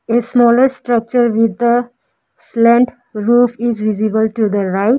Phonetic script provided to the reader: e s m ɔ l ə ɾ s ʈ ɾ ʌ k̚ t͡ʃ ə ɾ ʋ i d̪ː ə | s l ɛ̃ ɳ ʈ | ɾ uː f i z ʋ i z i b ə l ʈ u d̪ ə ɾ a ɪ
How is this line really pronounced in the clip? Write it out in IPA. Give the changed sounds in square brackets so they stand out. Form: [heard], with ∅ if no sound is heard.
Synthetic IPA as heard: e s m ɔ l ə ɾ s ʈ ɾ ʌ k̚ t͡ʃ ə ɾ ʋ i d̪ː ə | s l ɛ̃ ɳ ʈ | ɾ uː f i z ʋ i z i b ə l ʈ u d̪ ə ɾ a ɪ